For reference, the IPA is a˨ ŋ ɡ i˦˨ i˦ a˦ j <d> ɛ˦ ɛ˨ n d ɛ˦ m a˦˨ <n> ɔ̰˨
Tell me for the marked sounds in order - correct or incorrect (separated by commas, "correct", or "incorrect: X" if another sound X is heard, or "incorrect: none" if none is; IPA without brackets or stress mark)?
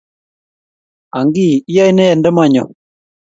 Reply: incorrect: n, incorrect: ɲ